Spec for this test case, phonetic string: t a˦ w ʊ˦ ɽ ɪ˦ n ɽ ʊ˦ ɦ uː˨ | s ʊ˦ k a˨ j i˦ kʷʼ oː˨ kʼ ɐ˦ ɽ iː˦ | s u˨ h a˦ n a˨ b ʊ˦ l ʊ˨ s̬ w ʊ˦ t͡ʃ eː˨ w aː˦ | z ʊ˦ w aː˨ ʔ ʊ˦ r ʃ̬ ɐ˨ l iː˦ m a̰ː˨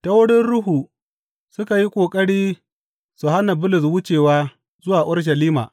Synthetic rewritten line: t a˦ w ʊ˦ ɽ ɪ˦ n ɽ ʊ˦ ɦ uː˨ | s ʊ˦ k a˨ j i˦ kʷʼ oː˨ kʼ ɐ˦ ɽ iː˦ | s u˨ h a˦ n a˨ b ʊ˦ l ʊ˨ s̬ w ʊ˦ t͡ʃ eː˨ w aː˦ | z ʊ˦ w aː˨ ʔ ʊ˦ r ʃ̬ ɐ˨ l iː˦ m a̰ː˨